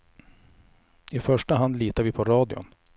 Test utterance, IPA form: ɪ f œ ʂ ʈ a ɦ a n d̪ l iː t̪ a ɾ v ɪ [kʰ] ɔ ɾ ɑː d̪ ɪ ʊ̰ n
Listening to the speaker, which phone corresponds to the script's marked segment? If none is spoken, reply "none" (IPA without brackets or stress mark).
pʰ